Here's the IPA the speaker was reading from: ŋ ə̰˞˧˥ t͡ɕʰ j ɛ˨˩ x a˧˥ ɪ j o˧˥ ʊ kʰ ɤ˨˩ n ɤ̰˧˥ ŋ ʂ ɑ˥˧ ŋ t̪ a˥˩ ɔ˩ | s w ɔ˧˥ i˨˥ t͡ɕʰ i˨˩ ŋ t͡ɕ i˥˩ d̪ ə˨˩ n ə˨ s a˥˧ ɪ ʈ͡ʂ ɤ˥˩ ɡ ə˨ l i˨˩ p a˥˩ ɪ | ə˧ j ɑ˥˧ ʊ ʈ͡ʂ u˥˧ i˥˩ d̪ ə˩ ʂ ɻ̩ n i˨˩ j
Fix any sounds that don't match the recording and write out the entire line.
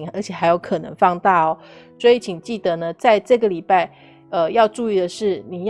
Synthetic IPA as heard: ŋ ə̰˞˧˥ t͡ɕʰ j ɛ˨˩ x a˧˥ ɪ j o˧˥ ʊ kʰ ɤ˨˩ n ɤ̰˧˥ ŋ f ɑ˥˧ ŋ t̪ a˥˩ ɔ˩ | s w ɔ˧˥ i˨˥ t͡ɕʰ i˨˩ ŋ t͡ɕ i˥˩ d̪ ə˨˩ n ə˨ t͡s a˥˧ ɪ ʈ͡ʂ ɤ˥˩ ɡ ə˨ l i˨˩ p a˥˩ ɪ | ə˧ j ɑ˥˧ ʊ ʈ͡ʂ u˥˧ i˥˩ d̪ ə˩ ʂ ɻ̩ n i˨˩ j